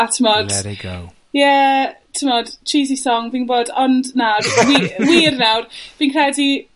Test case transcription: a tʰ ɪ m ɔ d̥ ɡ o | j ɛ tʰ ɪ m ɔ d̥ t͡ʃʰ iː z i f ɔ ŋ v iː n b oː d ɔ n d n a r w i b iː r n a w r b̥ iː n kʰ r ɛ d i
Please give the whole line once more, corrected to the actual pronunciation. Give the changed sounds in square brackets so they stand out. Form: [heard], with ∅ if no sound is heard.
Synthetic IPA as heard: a tʰ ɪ m ɔ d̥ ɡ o | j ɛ tʰ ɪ m ɔ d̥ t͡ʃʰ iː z i [s] ɔ ŋ v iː n b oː d ɔ n d n a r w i [w] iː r n a w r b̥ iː n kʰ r ɛ d i